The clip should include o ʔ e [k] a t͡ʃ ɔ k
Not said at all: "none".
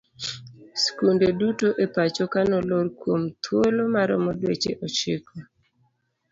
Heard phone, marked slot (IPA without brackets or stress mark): p